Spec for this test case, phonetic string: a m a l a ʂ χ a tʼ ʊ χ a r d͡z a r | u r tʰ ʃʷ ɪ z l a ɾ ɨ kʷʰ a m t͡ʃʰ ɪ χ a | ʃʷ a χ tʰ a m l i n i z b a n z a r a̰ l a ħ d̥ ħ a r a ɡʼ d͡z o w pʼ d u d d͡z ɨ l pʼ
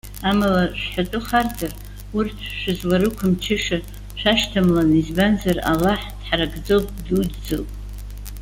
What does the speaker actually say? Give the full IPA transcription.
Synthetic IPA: a m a l a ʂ ħ a tʼ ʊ χ a r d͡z a r | u r tʰ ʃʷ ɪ z l a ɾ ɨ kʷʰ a m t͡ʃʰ ɪ ʂ a | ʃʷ a ʃ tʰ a m l a n i z b a n z a r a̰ l a ħ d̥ ħ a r a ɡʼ d͡z o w pʼ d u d d͡z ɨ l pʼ

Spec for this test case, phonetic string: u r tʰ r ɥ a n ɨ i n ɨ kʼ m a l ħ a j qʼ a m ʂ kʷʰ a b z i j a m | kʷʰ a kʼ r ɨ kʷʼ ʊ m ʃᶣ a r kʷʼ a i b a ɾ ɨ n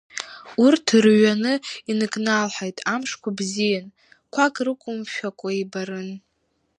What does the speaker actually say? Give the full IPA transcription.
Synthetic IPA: u r tʰ r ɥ a n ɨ i n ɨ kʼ n a l ħ a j tʼ a m ʂ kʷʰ a b z i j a n | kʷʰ a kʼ r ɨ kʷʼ ʊ m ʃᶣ a kʷʼ a i b a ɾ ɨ n

